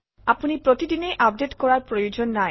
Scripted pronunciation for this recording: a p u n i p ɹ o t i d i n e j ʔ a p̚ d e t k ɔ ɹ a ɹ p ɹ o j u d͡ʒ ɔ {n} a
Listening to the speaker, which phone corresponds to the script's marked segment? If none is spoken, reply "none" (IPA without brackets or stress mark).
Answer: nː